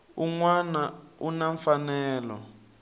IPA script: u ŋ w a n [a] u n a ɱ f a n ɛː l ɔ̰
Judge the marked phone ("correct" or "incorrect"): correct